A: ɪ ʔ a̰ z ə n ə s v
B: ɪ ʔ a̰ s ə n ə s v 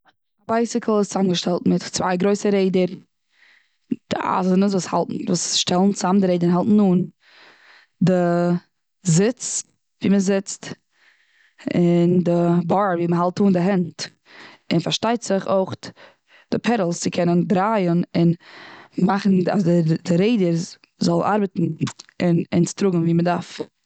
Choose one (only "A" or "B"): A